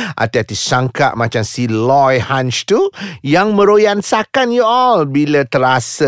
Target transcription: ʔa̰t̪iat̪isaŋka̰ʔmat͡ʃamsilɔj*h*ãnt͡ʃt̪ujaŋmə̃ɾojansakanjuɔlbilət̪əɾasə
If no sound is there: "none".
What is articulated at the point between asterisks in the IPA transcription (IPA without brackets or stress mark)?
h